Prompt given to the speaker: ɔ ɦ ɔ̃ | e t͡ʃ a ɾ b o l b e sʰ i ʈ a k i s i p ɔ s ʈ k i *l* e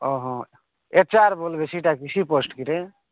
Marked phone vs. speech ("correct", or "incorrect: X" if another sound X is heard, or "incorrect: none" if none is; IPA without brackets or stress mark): incorrect: ɾ